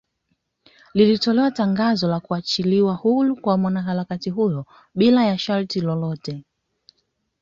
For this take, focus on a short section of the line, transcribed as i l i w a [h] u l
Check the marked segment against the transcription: correct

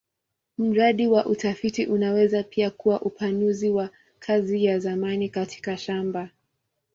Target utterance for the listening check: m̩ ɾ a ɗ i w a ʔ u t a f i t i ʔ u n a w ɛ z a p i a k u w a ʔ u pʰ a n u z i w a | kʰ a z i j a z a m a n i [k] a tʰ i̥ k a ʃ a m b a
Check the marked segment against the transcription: correct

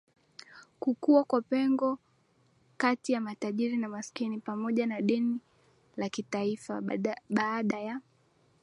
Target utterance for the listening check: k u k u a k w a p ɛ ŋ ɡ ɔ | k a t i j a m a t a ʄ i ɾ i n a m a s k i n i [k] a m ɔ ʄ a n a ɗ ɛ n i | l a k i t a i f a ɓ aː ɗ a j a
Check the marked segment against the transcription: incorrect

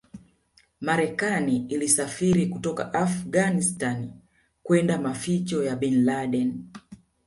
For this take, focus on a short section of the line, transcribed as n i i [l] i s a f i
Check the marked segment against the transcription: correct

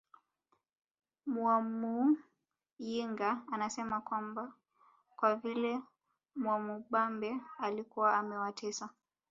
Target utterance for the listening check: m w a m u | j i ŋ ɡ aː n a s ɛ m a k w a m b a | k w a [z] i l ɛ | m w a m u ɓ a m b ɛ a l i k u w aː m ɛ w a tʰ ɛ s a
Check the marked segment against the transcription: incorrect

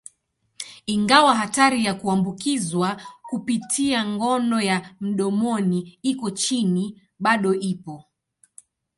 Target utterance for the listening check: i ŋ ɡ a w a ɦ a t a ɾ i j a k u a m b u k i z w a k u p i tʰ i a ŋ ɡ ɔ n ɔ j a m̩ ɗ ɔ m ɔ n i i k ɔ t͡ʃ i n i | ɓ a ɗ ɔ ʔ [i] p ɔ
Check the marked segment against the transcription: correct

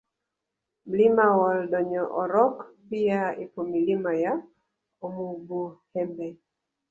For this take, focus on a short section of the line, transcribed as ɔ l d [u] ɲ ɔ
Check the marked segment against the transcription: incorrect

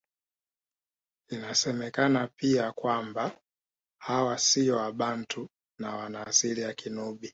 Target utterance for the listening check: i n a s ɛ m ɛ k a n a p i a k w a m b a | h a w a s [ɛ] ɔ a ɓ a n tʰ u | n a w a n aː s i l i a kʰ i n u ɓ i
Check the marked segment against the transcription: incorrect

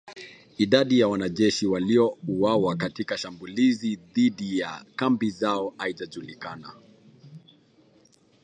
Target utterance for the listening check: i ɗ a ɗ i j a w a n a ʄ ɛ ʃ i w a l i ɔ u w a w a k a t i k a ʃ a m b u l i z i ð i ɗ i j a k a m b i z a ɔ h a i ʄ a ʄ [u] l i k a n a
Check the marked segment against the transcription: correct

